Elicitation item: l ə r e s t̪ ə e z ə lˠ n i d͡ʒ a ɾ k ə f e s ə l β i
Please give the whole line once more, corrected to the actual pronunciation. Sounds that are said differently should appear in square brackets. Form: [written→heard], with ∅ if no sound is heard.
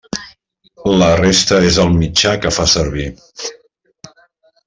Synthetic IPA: l ə r e s t̪ ə e z ə lˠ [n→m] i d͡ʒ a [ɾ→∅] k ə f [e→a] s ə [l→ɾ] β i